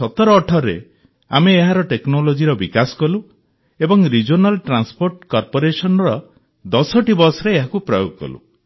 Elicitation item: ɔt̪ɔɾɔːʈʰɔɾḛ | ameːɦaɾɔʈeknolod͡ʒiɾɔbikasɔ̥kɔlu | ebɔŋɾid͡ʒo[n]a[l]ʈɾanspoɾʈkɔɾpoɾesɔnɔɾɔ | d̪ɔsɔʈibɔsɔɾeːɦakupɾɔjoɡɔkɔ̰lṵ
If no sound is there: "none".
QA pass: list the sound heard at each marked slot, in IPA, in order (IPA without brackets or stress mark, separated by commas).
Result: n, l